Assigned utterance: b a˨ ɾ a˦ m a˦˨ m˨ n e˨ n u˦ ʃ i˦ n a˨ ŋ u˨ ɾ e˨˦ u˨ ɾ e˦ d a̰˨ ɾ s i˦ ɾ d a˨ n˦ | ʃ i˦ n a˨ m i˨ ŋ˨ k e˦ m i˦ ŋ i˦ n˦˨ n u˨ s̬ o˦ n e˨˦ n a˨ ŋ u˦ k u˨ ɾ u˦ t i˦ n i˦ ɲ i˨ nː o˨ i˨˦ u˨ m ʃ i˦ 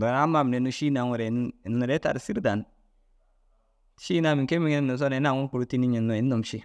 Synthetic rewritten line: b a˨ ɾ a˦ m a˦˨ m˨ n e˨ n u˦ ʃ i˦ n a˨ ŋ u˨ ɾ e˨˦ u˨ ɾ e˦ t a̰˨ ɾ s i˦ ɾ d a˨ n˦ | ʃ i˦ n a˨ m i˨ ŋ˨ k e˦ m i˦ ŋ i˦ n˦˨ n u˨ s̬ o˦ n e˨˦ n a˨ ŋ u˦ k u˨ ɾ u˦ t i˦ n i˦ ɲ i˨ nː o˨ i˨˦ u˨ m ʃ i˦